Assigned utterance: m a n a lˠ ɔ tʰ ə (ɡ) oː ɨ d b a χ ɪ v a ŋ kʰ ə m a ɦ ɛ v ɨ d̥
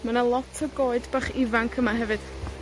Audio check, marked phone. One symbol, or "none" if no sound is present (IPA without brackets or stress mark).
ɡ